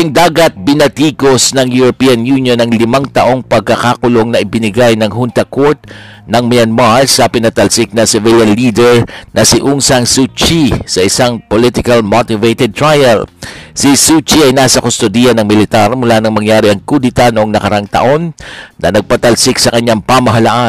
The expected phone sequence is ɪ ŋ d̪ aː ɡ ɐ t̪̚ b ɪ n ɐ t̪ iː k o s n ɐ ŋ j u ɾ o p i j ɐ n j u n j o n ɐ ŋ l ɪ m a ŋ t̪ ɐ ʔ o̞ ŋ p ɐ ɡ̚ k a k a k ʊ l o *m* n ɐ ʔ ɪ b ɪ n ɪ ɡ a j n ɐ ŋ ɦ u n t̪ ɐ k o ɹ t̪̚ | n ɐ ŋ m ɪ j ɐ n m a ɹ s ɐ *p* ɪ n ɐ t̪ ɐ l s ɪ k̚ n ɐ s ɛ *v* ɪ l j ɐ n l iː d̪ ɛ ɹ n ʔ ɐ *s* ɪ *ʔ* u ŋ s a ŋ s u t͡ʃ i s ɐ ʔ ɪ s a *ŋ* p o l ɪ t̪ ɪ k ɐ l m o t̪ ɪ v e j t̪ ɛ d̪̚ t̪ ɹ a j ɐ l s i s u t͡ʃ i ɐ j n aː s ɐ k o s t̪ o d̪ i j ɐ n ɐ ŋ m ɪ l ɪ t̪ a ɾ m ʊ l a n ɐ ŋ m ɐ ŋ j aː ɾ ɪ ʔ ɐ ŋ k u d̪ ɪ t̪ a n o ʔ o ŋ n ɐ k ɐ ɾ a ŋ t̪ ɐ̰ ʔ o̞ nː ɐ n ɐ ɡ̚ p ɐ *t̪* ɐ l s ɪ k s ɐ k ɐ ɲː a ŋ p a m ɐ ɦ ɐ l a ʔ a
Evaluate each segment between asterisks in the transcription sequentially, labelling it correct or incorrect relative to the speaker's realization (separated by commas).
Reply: incorrect, correct, correct, correct, correct, correct, correct